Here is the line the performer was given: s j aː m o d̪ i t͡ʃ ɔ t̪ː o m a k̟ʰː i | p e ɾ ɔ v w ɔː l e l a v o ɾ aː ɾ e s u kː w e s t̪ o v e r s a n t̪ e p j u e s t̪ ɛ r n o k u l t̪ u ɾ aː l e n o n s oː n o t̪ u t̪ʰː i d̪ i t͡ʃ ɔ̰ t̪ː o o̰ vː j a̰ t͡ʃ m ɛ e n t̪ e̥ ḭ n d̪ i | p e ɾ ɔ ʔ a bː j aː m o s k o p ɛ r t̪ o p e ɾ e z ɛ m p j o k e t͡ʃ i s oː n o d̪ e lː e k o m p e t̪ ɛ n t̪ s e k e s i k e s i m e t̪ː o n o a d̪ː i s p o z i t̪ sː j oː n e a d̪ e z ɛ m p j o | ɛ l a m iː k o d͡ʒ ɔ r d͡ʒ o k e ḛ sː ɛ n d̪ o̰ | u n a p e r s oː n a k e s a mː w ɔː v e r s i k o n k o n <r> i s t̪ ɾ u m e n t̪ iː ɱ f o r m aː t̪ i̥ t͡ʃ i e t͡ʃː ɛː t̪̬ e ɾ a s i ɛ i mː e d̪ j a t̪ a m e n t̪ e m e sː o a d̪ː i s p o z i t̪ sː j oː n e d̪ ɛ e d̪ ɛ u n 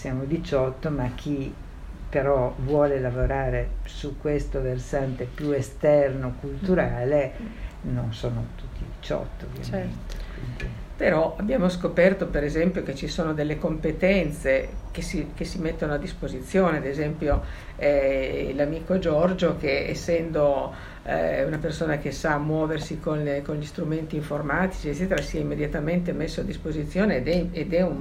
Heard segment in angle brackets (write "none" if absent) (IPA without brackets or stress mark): ʎ